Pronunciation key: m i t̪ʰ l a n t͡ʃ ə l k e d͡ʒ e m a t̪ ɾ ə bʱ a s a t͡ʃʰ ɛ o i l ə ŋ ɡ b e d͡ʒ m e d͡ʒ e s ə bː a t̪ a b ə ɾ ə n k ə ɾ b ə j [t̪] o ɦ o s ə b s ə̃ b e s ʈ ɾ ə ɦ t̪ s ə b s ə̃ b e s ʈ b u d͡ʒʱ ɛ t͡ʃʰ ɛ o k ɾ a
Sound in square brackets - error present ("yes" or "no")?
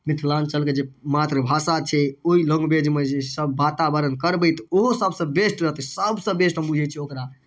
no